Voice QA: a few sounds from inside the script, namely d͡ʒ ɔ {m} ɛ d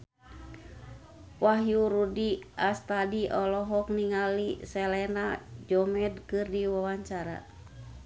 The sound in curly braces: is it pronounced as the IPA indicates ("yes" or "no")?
yes